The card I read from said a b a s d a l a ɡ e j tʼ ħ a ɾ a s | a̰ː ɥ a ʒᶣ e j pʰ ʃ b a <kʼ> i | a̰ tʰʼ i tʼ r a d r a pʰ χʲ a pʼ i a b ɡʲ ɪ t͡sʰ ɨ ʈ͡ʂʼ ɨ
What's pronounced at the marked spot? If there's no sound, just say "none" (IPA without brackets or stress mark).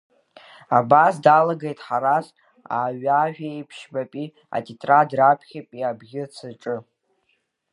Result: pʼ